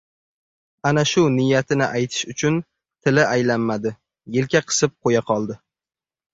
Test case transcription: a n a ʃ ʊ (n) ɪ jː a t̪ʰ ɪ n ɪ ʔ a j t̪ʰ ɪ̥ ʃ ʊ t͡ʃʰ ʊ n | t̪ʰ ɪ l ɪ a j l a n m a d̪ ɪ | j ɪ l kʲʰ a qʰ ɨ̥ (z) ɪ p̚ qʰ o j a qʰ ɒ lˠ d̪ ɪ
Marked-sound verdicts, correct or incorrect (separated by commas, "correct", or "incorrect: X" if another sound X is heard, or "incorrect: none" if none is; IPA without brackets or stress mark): correct, incorrect: s